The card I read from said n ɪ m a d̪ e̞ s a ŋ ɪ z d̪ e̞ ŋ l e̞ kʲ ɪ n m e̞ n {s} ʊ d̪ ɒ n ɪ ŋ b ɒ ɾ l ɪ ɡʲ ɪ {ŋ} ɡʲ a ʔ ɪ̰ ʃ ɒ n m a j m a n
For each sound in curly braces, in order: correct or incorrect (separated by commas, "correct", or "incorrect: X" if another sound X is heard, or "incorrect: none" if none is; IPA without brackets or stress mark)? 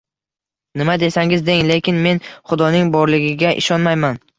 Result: incorrect: χ, incorrect: none